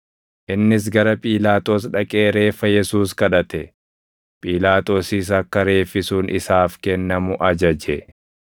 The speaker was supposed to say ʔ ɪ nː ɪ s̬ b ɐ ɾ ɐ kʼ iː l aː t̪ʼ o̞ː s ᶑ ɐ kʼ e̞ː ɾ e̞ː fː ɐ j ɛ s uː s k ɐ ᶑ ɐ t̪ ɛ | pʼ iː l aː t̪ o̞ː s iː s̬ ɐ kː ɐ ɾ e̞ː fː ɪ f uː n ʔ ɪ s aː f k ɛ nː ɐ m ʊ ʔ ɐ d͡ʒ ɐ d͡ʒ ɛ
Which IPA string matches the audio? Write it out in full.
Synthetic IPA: ʔ ɪ nː ɪ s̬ ɡ ɐ ɾ ɐ pʼ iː l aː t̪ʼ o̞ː s ᶑ ɐ kʼ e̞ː ɾ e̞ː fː ɐ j ɛ s uː s k ɐ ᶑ ɐ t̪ ɛ | pʼ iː l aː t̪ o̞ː s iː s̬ ɐ kː ɐ ɾ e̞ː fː ɪ s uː n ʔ ɪ s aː f k ɛ nː ɐ m ʊ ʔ ɐ d͡ʒ ɐ d͡ʒ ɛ